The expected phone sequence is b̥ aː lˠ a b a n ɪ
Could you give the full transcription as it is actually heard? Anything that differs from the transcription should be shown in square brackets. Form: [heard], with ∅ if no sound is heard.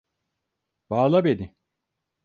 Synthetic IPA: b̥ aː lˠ a b [e] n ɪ